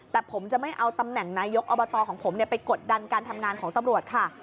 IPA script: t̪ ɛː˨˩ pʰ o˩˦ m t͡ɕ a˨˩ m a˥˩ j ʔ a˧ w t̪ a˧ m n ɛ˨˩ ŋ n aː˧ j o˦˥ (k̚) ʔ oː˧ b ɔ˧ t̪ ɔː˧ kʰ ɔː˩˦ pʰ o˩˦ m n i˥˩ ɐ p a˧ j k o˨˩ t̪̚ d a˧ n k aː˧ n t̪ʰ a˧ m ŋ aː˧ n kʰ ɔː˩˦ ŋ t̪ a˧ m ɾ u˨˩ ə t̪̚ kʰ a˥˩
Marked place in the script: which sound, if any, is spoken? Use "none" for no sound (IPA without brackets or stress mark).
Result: k̚